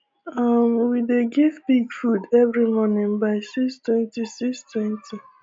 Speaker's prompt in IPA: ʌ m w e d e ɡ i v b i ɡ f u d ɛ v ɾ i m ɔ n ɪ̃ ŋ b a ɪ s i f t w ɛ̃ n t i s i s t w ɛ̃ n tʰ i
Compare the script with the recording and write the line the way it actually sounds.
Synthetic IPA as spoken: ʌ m w i d e ɡ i v b i ɡ f u d ɛ v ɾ i m ɔ n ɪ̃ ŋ b a ɪ s i s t w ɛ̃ n t i s i s t w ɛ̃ n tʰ i